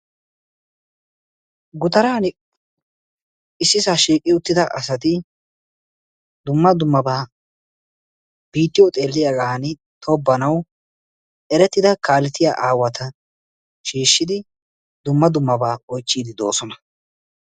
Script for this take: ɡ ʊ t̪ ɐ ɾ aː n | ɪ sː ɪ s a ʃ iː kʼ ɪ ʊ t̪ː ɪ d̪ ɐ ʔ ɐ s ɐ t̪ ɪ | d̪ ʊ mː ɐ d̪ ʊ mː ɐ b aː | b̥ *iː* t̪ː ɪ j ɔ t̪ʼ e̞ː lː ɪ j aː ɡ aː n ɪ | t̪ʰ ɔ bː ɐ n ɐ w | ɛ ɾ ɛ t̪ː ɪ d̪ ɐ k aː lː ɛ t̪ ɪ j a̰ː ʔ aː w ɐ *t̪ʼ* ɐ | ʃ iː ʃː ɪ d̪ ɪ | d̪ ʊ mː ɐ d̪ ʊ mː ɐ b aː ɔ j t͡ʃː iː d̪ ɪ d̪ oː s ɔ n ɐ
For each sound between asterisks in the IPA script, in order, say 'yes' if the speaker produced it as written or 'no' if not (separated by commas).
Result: yes, no